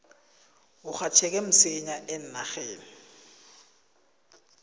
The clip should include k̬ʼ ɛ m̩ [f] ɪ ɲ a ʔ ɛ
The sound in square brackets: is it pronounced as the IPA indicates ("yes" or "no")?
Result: no